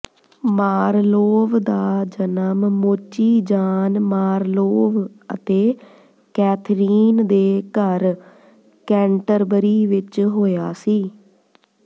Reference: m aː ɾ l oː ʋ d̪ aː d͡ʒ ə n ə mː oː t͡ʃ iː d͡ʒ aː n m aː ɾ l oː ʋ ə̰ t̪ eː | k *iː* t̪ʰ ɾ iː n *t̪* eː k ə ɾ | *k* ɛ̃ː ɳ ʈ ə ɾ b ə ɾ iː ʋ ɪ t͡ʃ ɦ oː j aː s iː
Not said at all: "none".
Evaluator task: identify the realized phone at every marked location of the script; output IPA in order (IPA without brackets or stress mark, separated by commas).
ɛː, d̪, k